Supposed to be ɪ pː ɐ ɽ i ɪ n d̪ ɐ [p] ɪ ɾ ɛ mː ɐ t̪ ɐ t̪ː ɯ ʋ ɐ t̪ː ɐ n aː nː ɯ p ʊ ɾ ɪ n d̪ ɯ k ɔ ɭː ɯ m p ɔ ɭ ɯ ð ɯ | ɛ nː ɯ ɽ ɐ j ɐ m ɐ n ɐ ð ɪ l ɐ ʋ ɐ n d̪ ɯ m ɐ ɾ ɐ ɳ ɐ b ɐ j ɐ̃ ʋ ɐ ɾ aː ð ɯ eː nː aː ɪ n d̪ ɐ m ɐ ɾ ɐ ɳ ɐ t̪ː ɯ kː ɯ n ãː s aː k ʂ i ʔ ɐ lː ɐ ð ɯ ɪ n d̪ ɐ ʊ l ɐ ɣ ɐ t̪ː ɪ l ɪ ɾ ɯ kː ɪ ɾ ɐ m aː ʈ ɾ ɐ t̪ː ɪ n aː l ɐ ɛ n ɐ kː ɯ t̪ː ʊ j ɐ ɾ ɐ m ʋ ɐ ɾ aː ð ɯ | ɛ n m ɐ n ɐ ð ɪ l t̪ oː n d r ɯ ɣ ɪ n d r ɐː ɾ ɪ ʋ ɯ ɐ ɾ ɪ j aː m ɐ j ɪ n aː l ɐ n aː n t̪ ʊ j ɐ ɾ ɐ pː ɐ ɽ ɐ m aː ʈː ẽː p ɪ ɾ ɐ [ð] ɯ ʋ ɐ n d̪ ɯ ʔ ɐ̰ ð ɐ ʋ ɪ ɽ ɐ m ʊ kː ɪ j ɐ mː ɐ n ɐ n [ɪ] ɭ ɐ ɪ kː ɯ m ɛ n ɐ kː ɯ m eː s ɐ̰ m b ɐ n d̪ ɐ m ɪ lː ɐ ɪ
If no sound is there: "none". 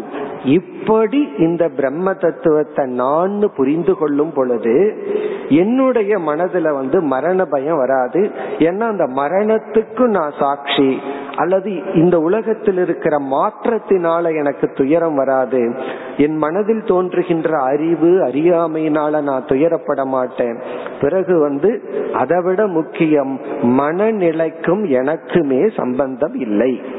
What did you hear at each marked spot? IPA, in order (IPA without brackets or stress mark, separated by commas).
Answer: b, ɣ, ɪ